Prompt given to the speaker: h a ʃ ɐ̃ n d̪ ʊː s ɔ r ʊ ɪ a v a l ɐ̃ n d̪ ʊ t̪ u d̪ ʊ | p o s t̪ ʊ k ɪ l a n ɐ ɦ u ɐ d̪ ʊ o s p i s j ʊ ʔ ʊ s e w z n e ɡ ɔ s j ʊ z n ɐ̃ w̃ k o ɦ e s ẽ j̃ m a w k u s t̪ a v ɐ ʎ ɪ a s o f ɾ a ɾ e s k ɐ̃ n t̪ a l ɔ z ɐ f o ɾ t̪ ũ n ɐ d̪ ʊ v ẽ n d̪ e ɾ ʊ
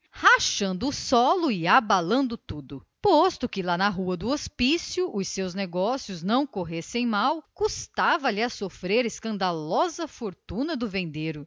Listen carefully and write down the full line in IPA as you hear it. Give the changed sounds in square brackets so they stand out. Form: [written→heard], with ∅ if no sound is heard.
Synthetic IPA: h a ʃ ɐ̃ n d̪ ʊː s ɔ [r→l] ʊ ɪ a [v→b] a l ɐ̃ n d̪ ʊ t̪ u d̪ ʊ | p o s t̪ ʊ k ɪ l a n ɐ ɦ u ɐ d̪ ʊ o s p i s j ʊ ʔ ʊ s e w z n e ɡ ɔ s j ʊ z n ɐ̃ w̃ k o ɦ e s ẽ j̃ m a w k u s t̪ a v ɐ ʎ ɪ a s o f ɾ [a→e] ɾ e s k ɐ̃ n [t̪→d̪] a l ɔ z ɐ f o ɾ t̪ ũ n ɐ d̪ ʊ v ẽ n d̪ e ɾ ʊ